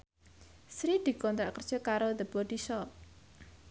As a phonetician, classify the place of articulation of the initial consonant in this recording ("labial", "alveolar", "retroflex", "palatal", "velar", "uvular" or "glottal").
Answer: alveolar